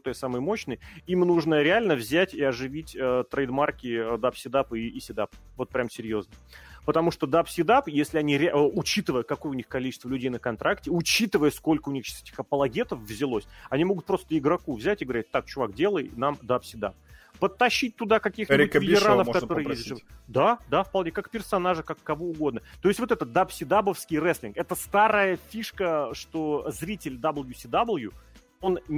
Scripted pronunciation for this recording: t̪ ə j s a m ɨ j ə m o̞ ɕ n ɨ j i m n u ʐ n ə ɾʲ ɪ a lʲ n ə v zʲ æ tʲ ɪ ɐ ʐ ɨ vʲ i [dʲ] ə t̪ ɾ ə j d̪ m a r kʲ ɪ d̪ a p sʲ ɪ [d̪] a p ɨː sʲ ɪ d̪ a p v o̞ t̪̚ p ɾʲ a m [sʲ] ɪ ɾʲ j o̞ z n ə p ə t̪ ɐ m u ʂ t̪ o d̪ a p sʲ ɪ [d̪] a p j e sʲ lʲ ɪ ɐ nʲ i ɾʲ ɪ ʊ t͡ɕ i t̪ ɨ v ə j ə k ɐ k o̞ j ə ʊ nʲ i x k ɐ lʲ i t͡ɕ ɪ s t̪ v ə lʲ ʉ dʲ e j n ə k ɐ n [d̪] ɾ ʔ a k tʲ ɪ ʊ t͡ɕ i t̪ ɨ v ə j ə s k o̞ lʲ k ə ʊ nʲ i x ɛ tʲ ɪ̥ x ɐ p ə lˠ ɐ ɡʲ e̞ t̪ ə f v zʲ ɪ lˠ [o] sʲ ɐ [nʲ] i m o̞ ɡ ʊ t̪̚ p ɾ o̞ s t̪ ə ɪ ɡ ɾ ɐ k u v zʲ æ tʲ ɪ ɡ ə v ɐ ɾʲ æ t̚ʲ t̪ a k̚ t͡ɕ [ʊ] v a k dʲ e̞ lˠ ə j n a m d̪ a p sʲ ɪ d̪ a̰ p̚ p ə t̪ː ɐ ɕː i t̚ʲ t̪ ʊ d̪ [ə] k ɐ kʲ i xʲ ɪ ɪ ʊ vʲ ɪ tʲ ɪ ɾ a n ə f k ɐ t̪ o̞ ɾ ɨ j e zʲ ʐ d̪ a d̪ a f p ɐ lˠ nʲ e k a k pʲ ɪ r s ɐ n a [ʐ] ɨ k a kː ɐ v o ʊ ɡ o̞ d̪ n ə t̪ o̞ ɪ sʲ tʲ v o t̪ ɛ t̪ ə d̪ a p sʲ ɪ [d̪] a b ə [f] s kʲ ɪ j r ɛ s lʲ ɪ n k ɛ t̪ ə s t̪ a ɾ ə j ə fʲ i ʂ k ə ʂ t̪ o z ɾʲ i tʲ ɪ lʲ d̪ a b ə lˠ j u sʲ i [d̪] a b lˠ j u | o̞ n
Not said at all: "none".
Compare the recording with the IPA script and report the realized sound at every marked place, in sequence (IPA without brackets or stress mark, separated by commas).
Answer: tʲ, d̪, sʲ, d̪, t̪, o, nʲ, ʊ, a, ʐ, d̪, f, d̪